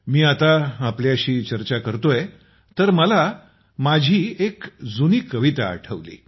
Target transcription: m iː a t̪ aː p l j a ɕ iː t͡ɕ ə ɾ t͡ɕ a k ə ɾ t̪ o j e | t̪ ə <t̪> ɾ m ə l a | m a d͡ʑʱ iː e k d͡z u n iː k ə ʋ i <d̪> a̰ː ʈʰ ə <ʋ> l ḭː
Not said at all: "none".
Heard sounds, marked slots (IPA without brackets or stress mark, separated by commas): none, t̪, ʋ